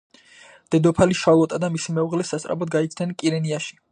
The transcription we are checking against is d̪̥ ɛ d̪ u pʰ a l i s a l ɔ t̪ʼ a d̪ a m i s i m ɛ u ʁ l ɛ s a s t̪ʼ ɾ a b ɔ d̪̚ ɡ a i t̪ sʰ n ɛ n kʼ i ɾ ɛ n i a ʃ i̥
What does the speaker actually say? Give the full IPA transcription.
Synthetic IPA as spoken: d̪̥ ɛ d̪ ɔ pʰ a l i ʃ a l ɔ t̪ʼ a d̪ a m i s i m ɛ u ʁ l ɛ s a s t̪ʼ ɾ a b ɔ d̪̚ ɡ a i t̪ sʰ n ɛ n kʼ i ɾ ɛ n i a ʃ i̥